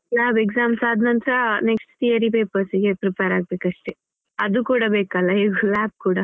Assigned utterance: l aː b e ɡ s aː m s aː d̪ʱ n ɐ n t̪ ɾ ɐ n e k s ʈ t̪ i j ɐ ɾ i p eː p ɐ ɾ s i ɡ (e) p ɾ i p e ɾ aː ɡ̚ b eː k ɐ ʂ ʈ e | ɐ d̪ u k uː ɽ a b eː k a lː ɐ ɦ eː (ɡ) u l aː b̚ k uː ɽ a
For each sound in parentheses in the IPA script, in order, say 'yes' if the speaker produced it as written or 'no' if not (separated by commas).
yes, yes